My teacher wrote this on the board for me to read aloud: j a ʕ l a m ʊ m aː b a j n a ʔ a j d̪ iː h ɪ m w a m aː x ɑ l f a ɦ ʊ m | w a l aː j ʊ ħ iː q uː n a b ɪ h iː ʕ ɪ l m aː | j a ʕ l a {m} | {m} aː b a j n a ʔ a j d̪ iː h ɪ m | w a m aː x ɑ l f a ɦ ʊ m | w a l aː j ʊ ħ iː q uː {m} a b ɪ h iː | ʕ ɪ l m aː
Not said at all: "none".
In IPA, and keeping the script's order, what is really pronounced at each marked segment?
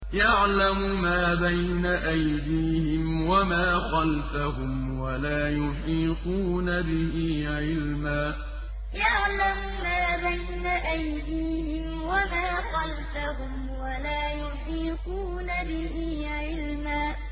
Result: m, m, n

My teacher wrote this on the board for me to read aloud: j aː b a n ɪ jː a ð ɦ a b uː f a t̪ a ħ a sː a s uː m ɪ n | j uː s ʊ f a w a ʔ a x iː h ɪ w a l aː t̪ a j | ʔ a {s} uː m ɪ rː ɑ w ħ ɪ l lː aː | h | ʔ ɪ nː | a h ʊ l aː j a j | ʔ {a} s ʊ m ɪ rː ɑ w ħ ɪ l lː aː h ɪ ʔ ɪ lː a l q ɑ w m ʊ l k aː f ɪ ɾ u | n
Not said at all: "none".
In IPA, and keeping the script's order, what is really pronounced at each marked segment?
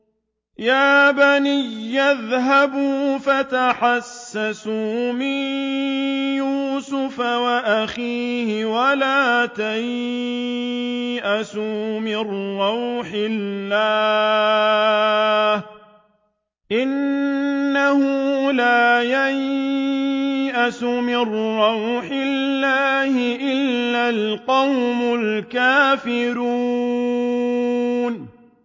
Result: s, a

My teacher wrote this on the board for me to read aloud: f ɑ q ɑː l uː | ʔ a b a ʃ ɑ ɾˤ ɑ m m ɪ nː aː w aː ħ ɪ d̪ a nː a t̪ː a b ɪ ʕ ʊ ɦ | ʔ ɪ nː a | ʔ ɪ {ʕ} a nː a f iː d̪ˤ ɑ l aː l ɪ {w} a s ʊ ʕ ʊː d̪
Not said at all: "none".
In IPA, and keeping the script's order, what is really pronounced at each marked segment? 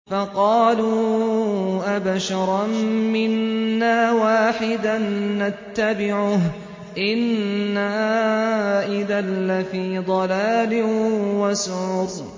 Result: ð, w

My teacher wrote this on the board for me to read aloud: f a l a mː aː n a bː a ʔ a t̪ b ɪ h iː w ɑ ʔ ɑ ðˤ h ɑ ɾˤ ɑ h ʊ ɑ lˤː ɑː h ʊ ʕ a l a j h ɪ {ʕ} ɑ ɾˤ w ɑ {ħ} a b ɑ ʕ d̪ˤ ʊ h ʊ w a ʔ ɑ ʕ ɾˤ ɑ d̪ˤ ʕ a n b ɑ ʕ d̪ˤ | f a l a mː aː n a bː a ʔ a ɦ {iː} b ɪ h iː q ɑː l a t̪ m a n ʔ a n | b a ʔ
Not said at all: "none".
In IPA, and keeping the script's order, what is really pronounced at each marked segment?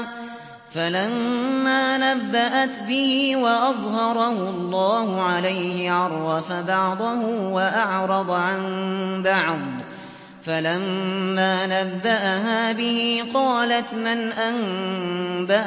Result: ʕ, f, aː

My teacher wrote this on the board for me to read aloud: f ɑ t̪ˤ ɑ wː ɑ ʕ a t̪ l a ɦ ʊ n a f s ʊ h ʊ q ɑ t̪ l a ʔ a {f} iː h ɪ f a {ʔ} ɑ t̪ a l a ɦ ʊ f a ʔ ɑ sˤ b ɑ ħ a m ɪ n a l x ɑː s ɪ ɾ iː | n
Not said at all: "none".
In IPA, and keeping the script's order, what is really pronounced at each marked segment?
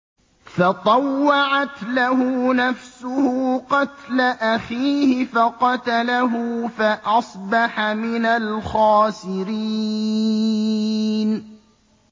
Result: x, q

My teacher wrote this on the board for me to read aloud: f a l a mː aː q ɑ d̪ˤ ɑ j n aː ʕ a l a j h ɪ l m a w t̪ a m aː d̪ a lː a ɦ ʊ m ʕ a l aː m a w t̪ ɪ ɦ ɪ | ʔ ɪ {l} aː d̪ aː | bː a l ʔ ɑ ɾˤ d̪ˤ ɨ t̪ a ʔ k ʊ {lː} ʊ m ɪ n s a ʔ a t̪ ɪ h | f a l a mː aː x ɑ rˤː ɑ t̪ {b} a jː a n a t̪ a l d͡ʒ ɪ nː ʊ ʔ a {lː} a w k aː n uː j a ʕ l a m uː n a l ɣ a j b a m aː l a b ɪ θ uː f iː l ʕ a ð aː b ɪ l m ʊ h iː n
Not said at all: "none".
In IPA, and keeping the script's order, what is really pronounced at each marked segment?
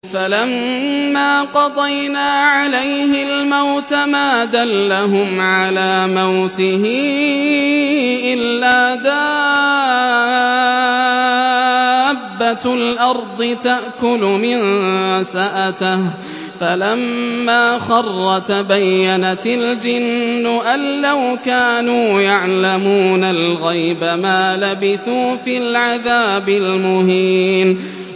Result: lː, l, b, lː

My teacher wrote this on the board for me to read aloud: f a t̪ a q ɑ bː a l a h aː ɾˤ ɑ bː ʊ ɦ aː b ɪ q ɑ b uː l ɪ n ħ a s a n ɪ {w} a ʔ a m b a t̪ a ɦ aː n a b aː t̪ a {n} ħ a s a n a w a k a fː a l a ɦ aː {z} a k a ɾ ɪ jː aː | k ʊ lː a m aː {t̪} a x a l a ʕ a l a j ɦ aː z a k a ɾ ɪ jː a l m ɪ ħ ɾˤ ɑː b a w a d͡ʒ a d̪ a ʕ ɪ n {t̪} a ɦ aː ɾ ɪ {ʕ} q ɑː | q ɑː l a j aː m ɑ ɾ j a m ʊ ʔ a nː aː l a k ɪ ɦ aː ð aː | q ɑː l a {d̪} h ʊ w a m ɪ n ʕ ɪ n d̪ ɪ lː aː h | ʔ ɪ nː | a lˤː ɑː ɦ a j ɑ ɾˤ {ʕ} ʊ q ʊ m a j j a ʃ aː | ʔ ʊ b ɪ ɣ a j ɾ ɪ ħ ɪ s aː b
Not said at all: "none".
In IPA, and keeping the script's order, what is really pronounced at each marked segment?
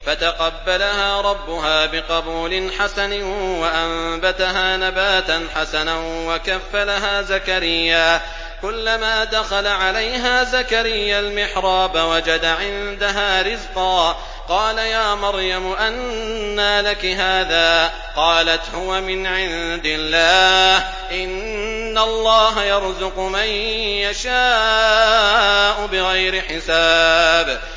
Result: w, n, z, d̪, d̪, z, t̪, z

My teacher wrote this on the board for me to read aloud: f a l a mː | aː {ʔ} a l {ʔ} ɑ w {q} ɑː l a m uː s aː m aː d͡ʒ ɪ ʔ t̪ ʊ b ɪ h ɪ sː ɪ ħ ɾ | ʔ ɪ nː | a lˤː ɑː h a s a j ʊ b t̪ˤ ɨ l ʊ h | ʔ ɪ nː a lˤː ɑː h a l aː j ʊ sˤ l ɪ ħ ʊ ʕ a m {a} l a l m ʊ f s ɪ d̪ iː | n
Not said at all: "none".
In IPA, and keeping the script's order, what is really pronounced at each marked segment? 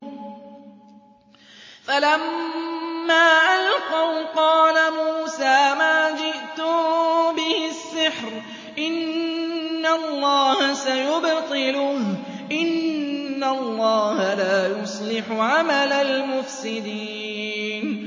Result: ʔ, q, q, a

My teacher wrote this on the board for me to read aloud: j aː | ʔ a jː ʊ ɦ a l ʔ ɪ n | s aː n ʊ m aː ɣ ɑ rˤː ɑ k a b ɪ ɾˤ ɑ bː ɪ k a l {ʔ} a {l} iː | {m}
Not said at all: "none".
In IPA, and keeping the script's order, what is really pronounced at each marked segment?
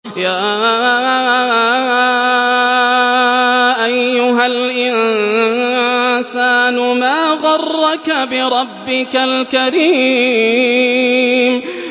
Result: k, ɾ, m

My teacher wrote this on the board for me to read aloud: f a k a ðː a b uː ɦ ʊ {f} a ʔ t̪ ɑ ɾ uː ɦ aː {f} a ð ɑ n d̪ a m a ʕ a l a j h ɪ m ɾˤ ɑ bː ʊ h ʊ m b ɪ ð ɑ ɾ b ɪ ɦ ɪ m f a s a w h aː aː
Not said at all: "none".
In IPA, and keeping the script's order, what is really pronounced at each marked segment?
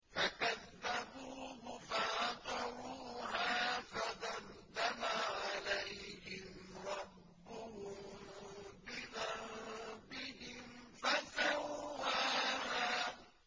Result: f, f

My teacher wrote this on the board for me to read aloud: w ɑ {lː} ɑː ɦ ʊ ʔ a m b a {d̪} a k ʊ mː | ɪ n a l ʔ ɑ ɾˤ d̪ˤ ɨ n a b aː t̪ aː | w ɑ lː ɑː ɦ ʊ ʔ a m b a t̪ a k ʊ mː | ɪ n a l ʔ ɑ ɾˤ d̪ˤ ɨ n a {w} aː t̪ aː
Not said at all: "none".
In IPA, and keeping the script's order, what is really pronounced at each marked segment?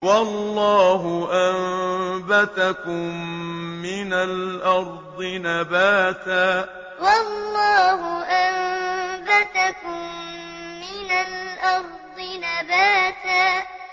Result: lː, t̪, b

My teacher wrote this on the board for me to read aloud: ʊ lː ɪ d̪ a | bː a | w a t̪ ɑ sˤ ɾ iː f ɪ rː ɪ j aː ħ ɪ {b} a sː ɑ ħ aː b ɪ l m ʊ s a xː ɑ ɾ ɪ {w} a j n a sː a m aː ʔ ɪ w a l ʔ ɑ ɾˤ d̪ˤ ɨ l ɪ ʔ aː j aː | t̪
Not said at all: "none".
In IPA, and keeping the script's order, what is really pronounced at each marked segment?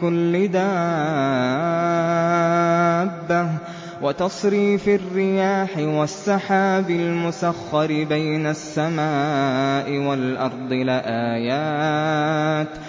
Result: w, b

